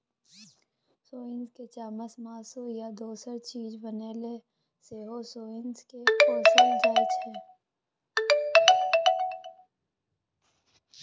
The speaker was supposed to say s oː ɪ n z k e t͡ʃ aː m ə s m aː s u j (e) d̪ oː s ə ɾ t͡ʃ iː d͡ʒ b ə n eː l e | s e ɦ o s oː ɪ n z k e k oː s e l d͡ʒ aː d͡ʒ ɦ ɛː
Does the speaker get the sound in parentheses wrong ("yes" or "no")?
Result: yes